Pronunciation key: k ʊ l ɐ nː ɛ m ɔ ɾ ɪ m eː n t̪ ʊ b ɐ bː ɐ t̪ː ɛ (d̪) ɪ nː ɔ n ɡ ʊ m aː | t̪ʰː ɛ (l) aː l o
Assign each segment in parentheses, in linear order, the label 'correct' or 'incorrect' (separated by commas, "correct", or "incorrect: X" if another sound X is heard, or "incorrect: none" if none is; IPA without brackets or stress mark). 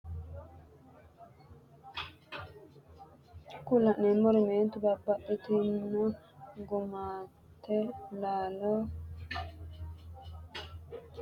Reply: incorrect: t̪, correct